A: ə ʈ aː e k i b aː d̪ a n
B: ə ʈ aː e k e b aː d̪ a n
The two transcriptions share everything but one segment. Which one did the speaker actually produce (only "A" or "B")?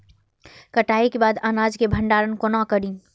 B